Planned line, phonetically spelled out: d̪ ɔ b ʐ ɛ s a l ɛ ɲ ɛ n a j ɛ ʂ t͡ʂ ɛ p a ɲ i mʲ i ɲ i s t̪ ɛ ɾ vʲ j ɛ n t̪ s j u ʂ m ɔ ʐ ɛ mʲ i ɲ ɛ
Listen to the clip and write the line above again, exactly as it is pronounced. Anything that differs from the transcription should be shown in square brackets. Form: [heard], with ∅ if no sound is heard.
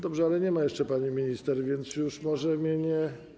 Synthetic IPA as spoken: d̪ ɔ b ʐ ɛ [∅] a l ɛ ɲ ɛ [m] a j ɛ ʂ t͡ʂ ɛ p a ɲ i mʲ i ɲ i s t̪ ɛ ɾ vʲ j ɛ n t̪ s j u ʂ m ɔ ʐ ɛ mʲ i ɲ ɛ